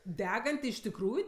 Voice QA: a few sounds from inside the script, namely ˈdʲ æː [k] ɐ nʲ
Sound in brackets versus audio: incorrect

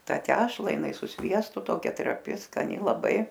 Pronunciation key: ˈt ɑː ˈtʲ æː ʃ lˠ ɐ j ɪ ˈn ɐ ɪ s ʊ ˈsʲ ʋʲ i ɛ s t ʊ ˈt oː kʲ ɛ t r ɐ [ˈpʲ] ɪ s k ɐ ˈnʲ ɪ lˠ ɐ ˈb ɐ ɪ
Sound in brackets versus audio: correct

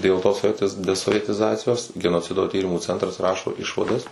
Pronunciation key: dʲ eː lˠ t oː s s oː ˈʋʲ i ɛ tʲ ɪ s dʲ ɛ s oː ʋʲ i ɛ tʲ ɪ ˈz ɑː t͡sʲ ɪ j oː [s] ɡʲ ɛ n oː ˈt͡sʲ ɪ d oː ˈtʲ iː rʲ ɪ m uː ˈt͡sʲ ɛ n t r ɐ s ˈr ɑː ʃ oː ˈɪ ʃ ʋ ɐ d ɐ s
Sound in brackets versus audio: correct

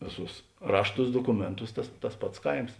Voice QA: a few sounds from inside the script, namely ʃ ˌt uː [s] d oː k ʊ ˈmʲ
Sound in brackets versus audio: correct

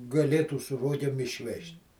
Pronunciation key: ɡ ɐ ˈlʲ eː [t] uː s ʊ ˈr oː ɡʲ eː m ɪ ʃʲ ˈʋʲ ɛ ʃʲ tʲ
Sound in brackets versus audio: correct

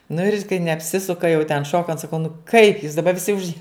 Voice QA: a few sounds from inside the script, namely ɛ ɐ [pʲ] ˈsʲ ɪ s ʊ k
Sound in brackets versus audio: correct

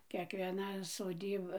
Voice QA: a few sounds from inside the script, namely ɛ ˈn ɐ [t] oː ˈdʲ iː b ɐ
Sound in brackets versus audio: incorrect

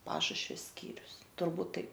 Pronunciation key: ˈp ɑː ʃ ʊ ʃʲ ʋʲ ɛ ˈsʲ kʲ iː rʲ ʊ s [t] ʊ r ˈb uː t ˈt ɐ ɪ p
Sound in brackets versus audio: correct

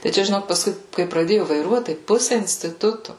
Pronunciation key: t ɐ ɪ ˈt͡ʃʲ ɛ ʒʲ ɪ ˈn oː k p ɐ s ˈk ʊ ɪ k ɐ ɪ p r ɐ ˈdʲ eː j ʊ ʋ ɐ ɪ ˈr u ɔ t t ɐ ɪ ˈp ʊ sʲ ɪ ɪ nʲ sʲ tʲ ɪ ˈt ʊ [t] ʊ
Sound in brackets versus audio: correct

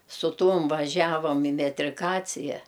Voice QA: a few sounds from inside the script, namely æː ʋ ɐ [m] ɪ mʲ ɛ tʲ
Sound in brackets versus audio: correct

